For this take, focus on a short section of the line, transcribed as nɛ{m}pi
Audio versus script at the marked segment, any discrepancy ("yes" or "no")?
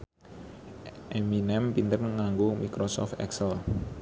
no